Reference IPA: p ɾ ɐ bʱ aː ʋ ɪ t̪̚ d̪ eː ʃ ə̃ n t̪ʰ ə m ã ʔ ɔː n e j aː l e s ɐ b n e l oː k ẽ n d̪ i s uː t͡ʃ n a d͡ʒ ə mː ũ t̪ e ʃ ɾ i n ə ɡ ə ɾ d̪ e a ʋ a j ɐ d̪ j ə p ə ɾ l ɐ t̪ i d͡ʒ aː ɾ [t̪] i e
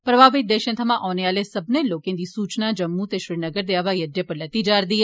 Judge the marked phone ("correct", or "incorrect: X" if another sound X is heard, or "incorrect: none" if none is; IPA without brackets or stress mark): incorrect: d̪